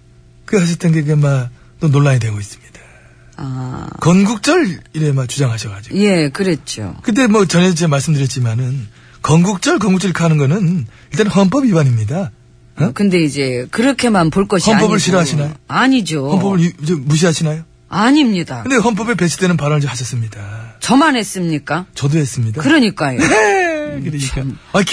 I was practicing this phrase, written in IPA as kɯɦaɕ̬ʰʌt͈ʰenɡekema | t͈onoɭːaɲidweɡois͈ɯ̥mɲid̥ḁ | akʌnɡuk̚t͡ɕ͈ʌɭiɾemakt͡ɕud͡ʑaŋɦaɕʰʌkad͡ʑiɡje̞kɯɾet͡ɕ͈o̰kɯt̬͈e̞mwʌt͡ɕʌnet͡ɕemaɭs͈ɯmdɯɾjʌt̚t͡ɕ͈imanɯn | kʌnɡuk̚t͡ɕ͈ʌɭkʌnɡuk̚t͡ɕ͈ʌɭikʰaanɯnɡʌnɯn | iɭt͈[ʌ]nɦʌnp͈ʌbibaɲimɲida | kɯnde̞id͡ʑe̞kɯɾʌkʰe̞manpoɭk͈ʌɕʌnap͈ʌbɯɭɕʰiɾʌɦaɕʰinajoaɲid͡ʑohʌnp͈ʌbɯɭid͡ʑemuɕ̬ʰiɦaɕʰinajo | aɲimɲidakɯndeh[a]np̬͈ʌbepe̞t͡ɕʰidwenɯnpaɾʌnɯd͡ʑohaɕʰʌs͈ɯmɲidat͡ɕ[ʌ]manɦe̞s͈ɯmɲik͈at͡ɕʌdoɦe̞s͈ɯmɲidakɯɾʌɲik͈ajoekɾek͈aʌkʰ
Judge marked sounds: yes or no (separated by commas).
no, no, yes